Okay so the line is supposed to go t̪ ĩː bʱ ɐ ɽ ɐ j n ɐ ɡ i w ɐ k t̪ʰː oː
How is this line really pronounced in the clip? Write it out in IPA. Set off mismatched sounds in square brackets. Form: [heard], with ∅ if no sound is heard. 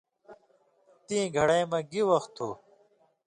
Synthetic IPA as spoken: t̪ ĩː [ɡʱ] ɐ ɽ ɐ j [m] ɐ ɡ i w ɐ [x] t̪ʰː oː